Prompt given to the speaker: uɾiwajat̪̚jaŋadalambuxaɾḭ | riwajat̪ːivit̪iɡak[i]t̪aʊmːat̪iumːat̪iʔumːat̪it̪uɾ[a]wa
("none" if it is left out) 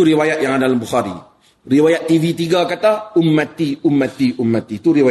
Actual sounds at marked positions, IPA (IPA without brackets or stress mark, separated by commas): a, i